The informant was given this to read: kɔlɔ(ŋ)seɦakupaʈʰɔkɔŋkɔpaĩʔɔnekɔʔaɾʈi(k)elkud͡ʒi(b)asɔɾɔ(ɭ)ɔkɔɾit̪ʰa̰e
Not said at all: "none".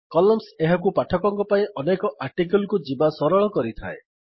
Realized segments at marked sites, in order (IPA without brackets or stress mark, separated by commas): m, k, b, ɭ